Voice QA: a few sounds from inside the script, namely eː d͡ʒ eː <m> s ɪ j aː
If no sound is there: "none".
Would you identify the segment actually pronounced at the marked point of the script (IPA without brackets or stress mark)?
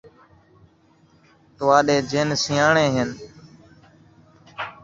n